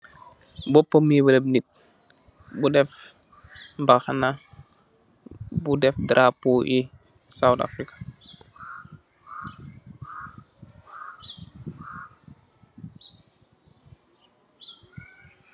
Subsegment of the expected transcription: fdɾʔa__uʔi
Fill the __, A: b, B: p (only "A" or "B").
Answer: B